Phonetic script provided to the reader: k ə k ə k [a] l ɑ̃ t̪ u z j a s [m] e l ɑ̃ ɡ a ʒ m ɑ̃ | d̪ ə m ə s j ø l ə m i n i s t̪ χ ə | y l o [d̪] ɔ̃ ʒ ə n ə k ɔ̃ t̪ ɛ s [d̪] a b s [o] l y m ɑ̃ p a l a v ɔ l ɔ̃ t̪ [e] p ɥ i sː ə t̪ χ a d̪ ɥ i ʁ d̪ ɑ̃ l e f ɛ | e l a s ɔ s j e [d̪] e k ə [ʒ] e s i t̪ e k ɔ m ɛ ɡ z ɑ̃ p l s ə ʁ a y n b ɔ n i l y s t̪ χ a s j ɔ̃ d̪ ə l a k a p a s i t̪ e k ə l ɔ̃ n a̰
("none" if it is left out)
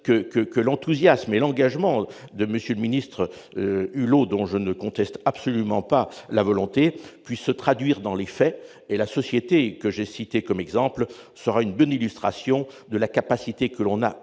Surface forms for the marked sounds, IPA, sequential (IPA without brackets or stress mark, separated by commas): ə, m, d̪, t̪, ɔ, e, t̪, ʒ